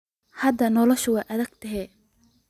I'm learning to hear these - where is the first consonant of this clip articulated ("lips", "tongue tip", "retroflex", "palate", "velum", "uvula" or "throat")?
throat